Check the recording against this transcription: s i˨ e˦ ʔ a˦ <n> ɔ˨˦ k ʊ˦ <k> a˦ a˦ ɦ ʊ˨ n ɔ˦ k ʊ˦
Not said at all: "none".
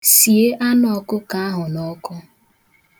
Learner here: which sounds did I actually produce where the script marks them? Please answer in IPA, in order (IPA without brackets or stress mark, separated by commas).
n, k